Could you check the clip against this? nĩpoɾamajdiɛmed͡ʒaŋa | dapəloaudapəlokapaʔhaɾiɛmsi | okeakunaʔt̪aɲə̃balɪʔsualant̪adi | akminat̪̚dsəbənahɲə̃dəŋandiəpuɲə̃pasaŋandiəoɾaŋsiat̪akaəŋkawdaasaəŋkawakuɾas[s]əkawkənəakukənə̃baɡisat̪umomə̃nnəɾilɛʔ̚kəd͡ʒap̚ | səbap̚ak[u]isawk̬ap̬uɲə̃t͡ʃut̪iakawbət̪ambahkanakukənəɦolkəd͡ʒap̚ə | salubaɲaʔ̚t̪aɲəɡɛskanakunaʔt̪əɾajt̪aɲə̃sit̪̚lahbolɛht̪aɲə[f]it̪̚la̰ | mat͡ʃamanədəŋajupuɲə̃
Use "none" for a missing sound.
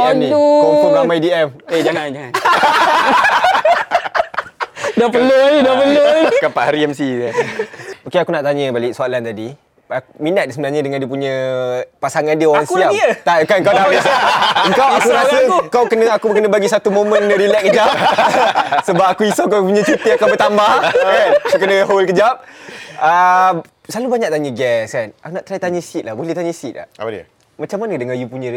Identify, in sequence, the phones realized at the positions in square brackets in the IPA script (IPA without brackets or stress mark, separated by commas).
s, u, s